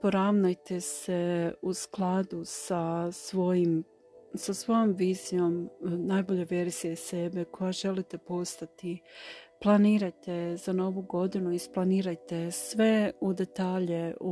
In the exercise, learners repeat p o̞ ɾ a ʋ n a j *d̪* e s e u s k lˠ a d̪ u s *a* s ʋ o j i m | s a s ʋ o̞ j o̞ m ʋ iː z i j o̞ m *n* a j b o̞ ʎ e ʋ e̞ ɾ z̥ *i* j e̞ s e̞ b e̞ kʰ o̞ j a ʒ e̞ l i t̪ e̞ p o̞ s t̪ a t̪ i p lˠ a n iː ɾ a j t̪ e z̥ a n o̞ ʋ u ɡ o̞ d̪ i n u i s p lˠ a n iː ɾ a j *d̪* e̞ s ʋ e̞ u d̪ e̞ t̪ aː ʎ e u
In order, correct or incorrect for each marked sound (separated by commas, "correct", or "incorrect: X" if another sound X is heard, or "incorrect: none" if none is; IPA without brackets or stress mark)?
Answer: incorrect: t̪, correct, correct, correct, incorrect: t̪